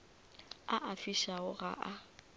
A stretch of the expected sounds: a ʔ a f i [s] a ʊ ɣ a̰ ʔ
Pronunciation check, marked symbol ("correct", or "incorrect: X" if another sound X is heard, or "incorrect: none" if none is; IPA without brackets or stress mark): incorrect: ʃ